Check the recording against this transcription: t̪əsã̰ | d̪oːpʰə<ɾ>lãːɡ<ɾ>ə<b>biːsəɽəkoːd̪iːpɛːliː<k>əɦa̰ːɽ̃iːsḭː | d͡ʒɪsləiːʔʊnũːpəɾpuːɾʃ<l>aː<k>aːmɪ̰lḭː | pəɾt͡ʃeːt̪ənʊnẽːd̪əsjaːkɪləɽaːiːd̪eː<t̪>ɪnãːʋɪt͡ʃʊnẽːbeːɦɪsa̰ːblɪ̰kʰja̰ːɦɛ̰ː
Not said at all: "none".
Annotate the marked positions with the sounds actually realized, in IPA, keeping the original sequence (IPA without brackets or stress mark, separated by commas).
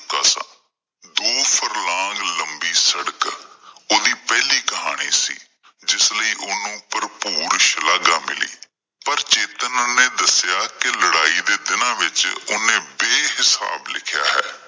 ɾ, l, m, k, l, ɡ, d̪